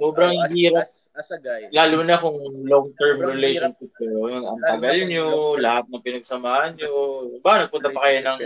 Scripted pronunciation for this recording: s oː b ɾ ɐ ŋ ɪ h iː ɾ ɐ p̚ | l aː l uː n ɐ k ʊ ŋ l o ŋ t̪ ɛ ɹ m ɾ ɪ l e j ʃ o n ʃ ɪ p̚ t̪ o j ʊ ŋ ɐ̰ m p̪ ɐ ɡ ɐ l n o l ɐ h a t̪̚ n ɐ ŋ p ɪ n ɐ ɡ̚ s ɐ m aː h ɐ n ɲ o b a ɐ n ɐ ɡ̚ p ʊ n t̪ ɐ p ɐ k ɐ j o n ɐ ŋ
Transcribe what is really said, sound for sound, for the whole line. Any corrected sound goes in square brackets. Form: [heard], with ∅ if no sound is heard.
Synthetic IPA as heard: s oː b ɾ ɐ ŋ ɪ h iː ɾ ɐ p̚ | l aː l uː n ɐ k ʊ ŋ l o ŋ t̪ ɛ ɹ m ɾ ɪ l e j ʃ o n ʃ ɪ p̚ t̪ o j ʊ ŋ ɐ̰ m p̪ ɐ ɡ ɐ l [ɲ] o l ɐ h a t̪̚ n ɐ ŋ p ɪ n ɐ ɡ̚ s ɐ m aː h ɐ n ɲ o b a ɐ n ɐ ɡ̚ p ʊ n t̪ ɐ p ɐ k ɐ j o n ɐ ŋ